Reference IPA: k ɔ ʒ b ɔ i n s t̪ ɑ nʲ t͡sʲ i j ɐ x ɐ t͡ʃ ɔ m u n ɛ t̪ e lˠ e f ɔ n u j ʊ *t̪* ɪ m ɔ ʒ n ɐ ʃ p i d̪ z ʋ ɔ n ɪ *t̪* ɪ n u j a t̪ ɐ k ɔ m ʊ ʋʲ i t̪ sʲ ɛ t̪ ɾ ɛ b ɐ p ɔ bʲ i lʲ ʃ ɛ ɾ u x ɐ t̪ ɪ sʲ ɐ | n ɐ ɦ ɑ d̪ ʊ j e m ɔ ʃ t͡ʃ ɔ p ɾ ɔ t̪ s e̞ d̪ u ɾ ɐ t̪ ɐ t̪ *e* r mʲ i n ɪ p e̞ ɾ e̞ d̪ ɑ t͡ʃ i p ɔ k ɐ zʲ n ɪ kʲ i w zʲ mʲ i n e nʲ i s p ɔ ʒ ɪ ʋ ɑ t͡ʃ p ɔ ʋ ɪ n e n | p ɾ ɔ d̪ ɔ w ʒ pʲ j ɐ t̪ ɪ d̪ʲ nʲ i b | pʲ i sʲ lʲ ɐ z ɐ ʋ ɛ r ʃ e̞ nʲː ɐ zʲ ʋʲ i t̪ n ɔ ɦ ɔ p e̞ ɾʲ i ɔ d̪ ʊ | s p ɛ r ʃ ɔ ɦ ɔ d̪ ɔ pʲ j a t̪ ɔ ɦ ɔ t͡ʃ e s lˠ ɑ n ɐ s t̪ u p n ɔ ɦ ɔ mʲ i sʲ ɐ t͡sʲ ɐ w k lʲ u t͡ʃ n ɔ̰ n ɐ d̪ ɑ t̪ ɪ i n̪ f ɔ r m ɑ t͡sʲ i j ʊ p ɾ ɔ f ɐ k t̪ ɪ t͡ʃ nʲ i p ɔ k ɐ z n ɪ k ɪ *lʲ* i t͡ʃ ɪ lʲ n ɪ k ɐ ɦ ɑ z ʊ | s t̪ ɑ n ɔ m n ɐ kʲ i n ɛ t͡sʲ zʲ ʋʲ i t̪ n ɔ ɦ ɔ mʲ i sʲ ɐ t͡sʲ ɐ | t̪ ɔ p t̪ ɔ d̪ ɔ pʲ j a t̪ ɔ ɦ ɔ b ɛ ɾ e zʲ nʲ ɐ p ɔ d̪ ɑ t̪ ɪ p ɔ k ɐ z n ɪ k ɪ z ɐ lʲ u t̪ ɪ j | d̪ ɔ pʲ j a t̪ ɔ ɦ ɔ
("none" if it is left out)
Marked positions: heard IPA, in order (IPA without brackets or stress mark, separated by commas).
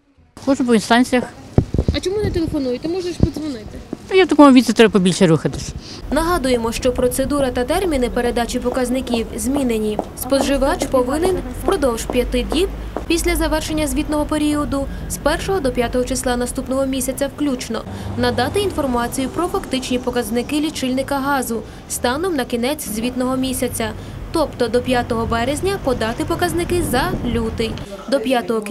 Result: t̪, t̪, ɛ, lʲ